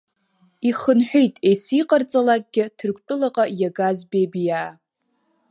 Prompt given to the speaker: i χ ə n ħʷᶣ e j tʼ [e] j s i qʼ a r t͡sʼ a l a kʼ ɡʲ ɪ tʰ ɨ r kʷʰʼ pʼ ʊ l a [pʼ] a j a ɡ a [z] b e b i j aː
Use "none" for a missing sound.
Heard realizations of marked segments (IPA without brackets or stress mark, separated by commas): e, qʼ, z